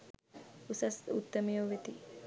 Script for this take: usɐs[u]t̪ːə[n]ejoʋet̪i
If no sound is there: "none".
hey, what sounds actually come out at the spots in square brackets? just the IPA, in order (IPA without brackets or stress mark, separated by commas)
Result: u, m